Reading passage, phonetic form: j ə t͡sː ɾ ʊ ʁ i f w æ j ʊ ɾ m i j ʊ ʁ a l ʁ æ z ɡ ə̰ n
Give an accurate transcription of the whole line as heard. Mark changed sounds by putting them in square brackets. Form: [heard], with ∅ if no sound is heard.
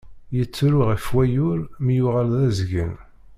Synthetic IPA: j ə t͡sː ɾ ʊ ʁ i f w æ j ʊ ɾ m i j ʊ ʁ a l [ð] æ z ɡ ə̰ n